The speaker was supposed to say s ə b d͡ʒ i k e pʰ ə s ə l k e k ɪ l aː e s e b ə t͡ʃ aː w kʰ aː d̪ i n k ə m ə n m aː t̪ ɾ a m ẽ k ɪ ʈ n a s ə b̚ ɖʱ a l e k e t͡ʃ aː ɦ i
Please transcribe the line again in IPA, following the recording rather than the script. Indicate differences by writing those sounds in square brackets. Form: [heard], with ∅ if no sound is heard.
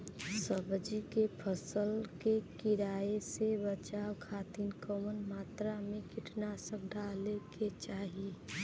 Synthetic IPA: s ə b d͡ʒ i k e pʰ ə s ə l k e k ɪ [ɾ] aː e s e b ə t͡ʃ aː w kʰ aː [t̪] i n k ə m ə n m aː t̪ ɾ a m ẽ k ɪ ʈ n a s ə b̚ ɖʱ a l e k e t͡ʃ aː ɦ i